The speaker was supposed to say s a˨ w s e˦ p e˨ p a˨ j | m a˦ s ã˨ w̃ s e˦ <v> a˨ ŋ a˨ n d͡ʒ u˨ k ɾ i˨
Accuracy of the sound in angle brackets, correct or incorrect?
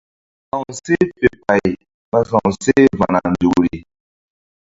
correct